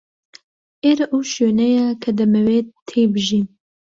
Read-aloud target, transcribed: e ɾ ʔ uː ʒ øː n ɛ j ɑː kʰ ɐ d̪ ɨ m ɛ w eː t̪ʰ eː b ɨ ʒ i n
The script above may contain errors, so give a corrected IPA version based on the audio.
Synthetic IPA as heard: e ɾ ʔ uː ʃ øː n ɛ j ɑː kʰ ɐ d̪ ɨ m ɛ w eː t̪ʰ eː b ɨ ʒ i n

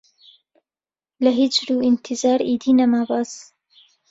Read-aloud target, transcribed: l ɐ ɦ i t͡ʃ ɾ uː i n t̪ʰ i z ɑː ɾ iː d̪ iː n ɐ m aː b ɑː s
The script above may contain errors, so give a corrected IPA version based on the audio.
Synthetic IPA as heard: l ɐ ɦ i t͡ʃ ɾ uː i n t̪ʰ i z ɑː ɾ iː d̪ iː n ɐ m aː b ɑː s

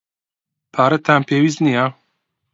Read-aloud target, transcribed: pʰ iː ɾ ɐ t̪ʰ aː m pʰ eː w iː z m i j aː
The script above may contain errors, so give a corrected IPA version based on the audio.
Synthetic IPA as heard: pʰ aː ɾ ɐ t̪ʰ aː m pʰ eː w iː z n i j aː

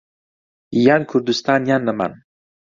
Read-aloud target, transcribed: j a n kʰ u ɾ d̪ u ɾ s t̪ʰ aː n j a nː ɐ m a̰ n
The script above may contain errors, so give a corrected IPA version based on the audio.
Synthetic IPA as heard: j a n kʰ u ɾ d̪ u s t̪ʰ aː n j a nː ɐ m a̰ n

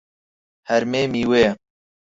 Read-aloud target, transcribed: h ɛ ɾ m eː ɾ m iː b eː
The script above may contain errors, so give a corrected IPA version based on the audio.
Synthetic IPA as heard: h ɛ ɾ m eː m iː w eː

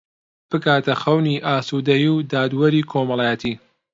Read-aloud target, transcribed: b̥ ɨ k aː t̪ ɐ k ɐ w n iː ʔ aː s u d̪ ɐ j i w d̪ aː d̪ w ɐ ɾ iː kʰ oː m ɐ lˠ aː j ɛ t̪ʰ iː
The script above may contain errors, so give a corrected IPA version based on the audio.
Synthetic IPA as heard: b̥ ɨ k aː t̪ ɐ x ɐ w n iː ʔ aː s u d̪ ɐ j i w d̪ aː d̪ w ɐ ɾ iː kʰ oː m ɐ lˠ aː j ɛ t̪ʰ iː

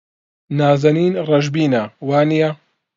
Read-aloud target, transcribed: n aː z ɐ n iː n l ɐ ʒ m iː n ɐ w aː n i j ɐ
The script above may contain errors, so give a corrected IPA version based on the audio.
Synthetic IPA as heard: n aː z ɐ n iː n r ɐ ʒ b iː n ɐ w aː n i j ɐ

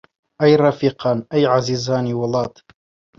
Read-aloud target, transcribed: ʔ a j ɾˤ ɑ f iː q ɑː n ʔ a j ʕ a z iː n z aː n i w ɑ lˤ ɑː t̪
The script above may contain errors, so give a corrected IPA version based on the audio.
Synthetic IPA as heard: ʔ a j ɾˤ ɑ f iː q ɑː n ʔ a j ʕ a z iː z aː n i w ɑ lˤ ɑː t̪

